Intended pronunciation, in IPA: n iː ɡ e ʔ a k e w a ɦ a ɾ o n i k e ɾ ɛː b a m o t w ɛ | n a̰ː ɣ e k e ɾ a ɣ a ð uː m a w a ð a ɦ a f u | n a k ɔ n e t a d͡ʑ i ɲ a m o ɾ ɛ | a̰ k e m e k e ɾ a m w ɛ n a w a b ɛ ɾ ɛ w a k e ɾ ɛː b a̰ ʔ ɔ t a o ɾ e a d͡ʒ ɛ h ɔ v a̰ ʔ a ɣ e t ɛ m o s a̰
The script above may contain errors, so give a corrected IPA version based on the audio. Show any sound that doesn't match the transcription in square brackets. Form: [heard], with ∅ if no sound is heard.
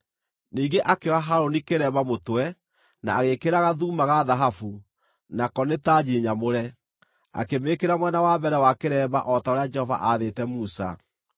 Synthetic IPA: n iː ɡ e ʔ a k e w a ɦ a ɾ o n i k e ɾ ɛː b a m o t w ɛ | n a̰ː ɣ e k e ɾ a ɣ a ð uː m a [ɣ] a ð a ɦ a f u | n a k ɔ n e t a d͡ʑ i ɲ a m o ɾ ɛ | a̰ k e m e k e ɾ a m w ɛ n a w a b ɛ ɾ ɛ w a k e ɾ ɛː b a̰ ʔ ɔ t a o ɾ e a d͡ʒ ɛ h ɔ v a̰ ʔ a [ð] e t ɛ m [u] s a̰